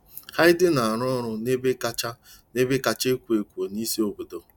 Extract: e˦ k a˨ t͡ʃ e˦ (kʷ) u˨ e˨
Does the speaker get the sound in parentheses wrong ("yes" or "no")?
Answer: no